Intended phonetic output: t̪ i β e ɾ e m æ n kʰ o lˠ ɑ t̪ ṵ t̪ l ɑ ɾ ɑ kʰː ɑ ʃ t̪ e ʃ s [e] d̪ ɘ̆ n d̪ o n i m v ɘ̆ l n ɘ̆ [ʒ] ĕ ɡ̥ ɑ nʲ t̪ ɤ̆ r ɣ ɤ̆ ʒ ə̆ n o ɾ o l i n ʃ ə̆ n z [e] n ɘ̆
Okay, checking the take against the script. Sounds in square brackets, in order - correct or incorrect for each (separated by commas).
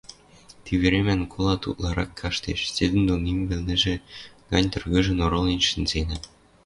correct, correct, correct